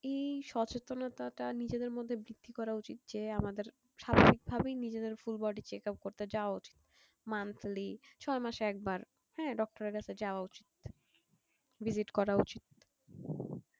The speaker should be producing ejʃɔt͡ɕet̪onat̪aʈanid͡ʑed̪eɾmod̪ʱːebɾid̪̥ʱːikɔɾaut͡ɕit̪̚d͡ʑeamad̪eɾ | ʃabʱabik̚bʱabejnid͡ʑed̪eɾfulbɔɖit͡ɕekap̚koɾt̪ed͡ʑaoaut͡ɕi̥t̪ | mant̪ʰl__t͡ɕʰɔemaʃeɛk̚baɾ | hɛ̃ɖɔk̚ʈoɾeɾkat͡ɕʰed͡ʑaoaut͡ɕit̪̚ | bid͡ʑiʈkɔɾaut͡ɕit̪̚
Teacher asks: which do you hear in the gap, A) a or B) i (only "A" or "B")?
B